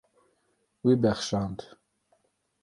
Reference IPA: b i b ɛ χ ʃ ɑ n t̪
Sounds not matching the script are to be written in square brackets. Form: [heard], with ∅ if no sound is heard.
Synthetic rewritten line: [w] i b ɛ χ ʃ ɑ n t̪